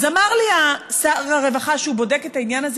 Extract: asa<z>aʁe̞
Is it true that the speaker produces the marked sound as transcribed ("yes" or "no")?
no